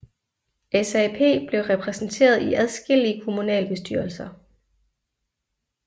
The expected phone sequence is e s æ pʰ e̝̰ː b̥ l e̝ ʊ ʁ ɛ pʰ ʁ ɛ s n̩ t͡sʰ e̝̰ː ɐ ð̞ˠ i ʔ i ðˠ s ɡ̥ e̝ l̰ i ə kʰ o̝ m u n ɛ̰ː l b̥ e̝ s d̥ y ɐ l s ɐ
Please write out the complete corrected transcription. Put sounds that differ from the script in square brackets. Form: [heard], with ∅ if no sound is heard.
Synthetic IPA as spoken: e s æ pʰ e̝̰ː b̥ l e̝ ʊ ʁ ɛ pʰ ʁ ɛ s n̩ t͡sʰ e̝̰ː ɐ ð̞ˠ i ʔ [æ] ðˠ s ɡ̥ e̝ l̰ i ə kʰ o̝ m u n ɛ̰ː l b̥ e̝ s d̥ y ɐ l s ɐ